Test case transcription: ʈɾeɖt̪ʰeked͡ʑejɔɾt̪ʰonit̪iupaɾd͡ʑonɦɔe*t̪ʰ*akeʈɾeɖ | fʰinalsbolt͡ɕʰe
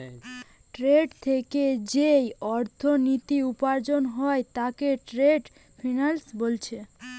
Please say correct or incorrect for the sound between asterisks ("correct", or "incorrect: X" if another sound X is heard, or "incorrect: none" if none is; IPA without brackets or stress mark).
incorrect: t̪